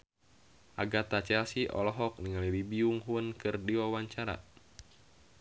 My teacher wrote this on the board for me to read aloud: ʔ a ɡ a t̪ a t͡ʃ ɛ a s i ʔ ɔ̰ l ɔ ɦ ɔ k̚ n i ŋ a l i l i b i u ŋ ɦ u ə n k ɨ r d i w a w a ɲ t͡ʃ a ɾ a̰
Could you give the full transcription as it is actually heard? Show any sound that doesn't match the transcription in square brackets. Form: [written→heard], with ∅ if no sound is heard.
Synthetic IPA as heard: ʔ a ɡ a t̪ a t͡ʃ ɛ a s i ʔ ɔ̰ l ɔ ɦ ɔ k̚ n i ŋ a l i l i b i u ŋ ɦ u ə n k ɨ r d i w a w a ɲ t͡ʃ a ɾ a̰